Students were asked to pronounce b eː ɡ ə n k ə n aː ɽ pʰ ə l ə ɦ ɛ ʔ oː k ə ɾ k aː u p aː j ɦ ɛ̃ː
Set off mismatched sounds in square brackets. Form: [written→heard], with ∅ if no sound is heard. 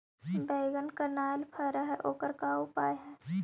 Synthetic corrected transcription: b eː ɡ ə n k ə n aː [ɽ→l] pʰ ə [l→ɾ] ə ɦ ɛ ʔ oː k ə ɾ k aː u p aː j ɦ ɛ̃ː